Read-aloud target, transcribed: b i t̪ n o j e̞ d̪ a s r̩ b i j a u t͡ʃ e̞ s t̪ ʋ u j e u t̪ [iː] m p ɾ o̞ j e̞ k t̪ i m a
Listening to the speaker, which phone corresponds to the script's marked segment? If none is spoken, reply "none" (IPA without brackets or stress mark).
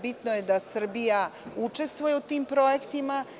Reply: iː